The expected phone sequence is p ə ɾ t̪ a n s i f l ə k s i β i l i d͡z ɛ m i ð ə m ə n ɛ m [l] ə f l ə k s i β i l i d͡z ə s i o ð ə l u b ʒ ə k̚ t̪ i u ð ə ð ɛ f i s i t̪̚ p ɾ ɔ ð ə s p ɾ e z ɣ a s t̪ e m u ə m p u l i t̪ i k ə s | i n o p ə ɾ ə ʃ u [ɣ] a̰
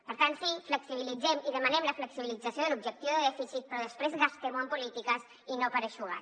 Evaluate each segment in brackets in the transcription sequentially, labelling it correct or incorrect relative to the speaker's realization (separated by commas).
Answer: correct, correct